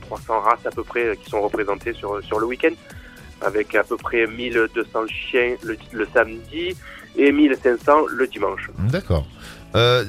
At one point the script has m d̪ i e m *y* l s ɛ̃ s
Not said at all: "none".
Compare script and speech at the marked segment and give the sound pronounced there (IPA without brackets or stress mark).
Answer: i